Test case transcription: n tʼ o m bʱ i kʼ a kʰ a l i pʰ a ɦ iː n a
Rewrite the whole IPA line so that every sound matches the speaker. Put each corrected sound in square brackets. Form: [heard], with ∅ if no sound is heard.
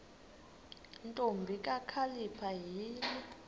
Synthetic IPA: n tʼ o m bʱ i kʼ a kʰ a l i pʰ a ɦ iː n [i]

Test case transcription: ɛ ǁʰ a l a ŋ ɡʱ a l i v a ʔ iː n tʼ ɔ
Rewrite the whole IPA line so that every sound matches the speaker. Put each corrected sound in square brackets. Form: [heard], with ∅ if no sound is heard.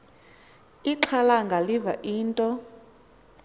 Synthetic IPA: [i] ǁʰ a l a ŋ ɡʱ a l i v a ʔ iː n tʼ ɔ

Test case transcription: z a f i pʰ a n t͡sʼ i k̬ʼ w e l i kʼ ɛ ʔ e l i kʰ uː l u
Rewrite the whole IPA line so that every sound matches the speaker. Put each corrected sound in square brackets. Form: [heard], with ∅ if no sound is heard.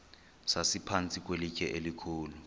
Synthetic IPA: [s] a [s] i pʰ a n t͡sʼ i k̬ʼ w e l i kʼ ɛ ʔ e l i kʰ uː l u

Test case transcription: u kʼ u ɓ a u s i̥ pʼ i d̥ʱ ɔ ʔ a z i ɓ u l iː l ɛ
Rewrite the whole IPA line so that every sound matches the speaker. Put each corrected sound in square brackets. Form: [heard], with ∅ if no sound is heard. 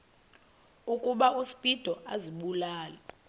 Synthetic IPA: u kʼ u ɓ a u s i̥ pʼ i d̥ʱ ɔ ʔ a z i ɓ u l [aː] l ɛ

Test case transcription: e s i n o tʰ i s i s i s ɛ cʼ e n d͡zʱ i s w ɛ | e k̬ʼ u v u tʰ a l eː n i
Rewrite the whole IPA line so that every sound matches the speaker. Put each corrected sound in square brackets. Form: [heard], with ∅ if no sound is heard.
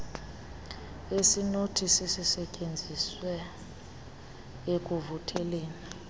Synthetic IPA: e s i n o tʰ i s i s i s ɛ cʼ e n d͡zʱ i s w ɛ | e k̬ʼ u v u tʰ [ɛ] l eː n i

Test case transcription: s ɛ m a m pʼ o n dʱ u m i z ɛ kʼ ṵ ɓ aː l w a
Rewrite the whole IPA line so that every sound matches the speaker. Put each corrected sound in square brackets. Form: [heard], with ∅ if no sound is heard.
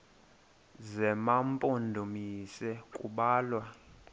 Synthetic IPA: [z] ɛ m a m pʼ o n dʱ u m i [s] ɛ kʼ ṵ ɓ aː l w a

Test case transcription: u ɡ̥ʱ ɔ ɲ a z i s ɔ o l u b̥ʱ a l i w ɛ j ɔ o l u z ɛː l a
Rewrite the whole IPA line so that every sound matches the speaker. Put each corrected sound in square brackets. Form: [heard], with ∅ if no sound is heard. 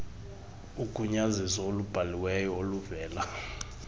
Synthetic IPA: u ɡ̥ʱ [u] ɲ a z i s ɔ o l u b̥ʱ a l i w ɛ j ɔ o l u [v] ɛː l a

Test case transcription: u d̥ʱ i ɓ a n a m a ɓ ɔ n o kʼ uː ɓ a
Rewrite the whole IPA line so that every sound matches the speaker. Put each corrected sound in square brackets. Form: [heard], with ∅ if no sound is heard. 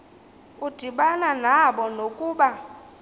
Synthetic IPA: u d̥ʱ i ɓ a n a [n] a ɓ ɔ n o kʼ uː ɓ a

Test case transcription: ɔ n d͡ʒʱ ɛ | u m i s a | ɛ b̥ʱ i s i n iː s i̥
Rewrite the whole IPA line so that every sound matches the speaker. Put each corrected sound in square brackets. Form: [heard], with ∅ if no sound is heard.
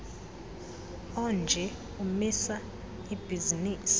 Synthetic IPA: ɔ n d͡ʒʱ ɛ | u m i s a | [i] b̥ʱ i [z] i n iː s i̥

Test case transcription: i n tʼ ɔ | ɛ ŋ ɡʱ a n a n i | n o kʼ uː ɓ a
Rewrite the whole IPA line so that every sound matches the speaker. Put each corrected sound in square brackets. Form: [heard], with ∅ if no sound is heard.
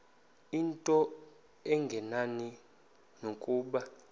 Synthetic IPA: i n tʼ ɔ | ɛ ŋ ɡʱ [ɛ] n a n i | n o kʼ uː ɓ a

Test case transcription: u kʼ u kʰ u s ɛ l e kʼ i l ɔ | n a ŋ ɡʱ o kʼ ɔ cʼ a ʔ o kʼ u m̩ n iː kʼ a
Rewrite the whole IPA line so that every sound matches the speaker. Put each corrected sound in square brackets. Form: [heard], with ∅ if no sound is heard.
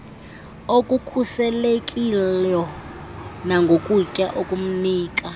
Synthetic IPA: [o] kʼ u kʰ u s ɛ l e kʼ i l ɔ | n a ŋ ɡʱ o kʼ [u] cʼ a ʔ o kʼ u m̩ n iː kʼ a

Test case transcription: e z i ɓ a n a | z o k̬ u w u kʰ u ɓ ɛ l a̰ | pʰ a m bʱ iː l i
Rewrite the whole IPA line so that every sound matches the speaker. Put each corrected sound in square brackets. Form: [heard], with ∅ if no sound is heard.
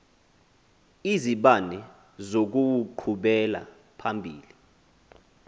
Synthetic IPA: [i] z i ɓ a n [ɛ] | z o k̬ u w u [ǃʰ] u ɓ ɛ l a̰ | pʰ a m bʱ iː l i

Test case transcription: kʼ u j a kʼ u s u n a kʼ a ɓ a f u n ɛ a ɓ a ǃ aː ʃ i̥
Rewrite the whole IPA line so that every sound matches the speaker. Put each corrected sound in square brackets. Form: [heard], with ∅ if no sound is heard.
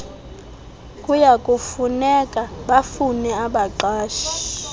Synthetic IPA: kʼ u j a kʼ u [f] u n [ɛ] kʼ a ɓ a f u n ɛ a ɓ a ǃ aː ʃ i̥

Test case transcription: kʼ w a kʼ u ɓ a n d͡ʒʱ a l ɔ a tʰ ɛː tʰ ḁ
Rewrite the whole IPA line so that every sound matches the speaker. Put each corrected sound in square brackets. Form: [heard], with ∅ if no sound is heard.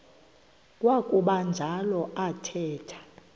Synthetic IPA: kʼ w a kʼ u ɓ a n d͡ʒʱ a l ɔ a tʰ ɛː tʰ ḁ

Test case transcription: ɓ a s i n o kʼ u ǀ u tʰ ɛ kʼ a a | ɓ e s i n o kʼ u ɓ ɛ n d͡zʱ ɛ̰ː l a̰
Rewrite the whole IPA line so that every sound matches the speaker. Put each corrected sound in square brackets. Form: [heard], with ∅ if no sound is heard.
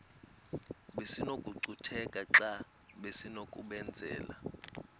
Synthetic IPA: ɓ [e] s i n o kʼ u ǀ u tʰ ɛ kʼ a a | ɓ e s i n o kʼ u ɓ ɛ n d͡zʱ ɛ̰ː l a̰

